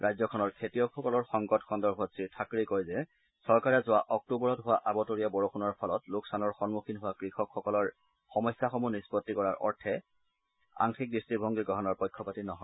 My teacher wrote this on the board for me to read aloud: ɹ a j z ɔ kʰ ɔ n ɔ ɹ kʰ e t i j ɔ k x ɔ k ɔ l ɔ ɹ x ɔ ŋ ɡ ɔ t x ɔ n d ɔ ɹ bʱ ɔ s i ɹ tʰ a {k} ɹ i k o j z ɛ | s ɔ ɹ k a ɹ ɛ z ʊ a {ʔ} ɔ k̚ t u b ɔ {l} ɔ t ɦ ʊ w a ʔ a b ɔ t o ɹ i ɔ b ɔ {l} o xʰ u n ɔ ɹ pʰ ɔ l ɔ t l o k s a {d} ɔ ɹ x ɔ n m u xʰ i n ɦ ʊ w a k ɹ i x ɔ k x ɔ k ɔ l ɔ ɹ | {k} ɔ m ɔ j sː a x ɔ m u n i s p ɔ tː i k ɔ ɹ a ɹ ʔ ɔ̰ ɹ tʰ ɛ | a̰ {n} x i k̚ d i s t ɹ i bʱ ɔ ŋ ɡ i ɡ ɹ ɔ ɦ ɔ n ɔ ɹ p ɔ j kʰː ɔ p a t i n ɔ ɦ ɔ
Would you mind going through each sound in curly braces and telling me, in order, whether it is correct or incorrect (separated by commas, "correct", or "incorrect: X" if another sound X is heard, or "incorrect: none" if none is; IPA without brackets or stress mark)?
correct, correct, incorrect: ɹ, incorrect: ɹ, incorrect: n, incorrect: x, incorrect: ŋ